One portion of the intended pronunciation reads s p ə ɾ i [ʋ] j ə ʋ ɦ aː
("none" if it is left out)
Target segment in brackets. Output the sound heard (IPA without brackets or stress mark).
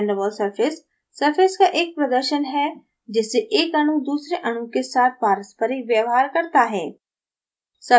ʋ